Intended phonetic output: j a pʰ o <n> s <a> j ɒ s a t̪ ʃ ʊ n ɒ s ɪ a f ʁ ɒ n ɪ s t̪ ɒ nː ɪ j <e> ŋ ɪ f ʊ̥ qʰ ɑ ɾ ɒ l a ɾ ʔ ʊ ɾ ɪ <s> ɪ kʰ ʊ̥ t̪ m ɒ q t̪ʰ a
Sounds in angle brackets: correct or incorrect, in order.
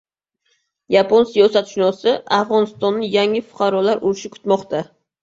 correct, incorrect, incorrect, incorrect

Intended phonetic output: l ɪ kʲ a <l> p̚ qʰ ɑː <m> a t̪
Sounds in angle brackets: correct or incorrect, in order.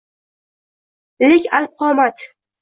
correct, correct

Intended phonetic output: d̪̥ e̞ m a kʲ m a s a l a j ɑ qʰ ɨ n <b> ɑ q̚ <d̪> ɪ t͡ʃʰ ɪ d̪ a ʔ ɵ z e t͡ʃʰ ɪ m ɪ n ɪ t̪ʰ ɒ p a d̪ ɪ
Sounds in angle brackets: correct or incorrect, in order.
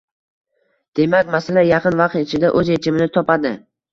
incorrect, incorrect

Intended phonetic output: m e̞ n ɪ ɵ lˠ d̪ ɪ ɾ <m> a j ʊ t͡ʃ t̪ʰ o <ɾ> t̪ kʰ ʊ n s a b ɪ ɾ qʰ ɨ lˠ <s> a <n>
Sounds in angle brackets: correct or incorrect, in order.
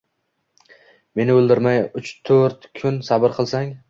correct, correct, correct, incorrect

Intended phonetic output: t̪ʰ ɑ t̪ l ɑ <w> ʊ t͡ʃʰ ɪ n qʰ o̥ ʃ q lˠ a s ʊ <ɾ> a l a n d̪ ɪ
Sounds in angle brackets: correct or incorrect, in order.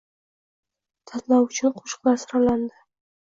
correct, correct

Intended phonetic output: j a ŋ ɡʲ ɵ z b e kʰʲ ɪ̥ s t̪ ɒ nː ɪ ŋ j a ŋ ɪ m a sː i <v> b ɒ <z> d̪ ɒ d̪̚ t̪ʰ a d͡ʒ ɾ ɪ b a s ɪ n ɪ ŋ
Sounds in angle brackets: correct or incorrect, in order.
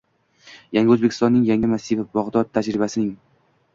correct, incorrect

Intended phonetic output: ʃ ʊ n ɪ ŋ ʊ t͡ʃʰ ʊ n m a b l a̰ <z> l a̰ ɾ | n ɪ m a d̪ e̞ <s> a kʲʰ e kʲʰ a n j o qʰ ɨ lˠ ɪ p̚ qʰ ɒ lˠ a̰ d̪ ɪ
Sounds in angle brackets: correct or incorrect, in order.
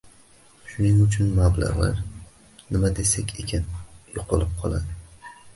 incorrect, correct

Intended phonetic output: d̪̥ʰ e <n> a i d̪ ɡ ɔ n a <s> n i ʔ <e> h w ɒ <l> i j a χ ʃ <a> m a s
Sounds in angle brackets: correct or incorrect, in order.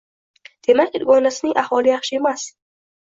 incorrect, correct, incorrect, correct, incorrect

